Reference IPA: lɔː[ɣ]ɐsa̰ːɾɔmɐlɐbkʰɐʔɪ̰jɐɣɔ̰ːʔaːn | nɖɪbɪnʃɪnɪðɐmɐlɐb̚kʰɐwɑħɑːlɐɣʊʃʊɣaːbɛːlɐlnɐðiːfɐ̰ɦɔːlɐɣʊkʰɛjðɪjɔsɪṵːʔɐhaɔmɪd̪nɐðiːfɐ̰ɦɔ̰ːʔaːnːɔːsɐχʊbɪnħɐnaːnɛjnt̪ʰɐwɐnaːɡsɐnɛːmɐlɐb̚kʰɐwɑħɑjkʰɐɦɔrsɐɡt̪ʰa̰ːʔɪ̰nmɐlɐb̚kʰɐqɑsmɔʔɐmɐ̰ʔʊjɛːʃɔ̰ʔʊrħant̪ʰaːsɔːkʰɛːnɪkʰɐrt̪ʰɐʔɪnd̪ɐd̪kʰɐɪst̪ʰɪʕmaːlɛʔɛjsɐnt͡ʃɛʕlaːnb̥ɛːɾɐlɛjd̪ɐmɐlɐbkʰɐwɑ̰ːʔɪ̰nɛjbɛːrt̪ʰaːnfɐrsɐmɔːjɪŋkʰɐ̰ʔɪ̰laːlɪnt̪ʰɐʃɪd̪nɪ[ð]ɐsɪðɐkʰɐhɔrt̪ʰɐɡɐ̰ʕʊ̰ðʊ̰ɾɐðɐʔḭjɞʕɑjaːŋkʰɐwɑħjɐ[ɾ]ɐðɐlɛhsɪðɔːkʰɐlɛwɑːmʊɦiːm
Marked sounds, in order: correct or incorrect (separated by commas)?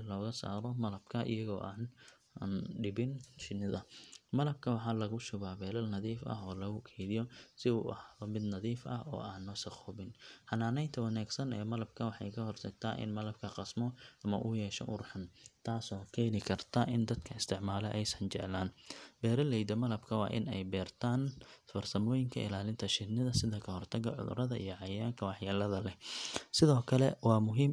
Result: correct, correct, incorrect